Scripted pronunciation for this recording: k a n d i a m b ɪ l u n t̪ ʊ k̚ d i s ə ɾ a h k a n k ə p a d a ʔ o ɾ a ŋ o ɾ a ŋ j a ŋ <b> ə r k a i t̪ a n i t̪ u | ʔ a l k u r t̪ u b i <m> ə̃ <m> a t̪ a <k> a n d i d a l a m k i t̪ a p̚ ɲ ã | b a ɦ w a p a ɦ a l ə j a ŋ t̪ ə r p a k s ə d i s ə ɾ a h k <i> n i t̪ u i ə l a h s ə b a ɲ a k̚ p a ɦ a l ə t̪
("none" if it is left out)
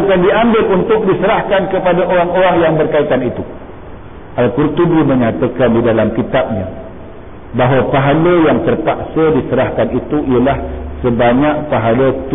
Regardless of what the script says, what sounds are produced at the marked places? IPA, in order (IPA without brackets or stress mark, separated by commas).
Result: b, m, ɲ, k, a